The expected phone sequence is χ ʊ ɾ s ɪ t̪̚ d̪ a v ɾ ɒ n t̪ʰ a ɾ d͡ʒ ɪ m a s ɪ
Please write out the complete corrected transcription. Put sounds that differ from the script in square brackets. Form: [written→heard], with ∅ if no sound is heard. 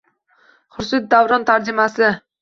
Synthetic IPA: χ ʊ ɾ s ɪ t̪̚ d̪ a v ɾ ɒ n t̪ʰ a ɾ d͡ʒ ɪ m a s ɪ